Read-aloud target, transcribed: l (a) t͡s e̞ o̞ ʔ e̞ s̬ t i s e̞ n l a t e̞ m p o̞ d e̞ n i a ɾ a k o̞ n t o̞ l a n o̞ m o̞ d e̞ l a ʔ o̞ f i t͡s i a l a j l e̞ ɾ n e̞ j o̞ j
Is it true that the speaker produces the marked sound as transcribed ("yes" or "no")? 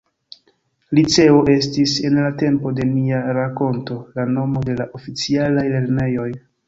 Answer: no